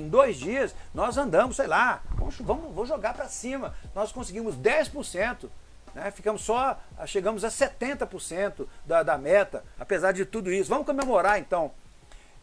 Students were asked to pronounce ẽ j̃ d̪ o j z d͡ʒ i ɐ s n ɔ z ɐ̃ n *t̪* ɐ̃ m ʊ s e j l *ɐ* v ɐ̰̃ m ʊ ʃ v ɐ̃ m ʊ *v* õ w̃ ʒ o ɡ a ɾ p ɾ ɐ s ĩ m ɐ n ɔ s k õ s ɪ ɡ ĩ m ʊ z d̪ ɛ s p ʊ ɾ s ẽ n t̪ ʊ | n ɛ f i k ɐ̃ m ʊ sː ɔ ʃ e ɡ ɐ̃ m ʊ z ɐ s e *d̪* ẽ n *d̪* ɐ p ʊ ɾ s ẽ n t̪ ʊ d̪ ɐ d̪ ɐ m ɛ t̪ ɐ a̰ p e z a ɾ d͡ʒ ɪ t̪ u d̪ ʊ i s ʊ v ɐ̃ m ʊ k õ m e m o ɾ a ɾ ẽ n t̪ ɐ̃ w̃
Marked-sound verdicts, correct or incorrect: incorrect: d̪, incorrect: a, correct, incorrect: t̪, incorrect: t̪

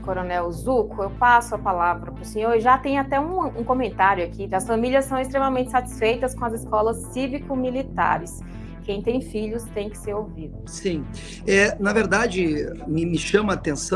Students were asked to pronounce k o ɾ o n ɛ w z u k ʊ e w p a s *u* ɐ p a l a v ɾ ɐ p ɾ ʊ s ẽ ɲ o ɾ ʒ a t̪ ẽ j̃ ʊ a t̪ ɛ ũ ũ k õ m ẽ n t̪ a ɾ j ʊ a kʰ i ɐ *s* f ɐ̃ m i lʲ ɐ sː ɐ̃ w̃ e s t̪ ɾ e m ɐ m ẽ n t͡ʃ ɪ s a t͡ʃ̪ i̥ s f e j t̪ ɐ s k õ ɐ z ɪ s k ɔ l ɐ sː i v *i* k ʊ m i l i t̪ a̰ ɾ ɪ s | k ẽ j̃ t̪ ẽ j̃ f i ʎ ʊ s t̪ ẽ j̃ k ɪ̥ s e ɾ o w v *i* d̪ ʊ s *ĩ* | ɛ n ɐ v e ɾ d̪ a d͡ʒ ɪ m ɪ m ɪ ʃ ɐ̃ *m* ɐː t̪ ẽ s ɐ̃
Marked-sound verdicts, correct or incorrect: incorrect: ʊ, correct, correct, correct, correct, correct

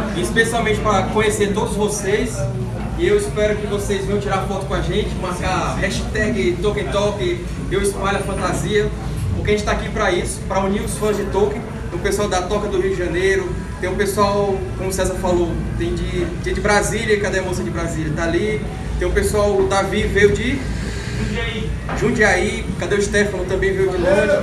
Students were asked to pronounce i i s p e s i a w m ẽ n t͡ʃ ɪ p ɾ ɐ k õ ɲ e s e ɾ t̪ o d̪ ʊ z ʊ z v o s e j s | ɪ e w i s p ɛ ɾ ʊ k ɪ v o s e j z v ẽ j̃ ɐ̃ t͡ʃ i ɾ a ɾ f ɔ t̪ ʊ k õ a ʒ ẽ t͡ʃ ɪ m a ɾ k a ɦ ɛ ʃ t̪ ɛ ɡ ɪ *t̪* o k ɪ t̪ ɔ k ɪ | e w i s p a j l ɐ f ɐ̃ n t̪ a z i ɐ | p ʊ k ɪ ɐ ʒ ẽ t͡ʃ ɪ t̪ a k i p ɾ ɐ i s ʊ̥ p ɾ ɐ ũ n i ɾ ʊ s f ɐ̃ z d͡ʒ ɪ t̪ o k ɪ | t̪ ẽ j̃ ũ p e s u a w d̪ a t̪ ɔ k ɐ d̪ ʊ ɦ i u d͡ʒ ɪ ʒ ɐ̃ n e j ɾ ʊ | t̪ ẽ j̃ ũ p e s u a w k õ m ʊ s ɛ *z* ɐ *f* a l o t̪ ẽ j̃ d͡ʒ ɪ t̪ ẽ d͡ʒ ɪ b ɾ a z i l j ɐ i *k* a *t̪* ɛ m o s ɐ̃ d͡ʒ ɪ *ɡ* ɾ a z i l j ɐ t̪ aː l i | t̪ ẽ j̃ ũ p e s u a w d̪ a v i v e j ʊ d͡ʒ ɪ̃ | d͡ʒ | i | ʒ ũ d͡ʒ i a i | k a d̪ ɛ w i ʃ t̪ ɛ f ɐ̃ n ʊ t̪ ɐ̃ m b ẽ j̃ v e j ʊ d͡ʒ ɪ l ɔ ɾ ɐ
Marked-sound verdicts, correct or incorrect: correct, correct, correct, correct, incorrect: d̪, incorrect: b

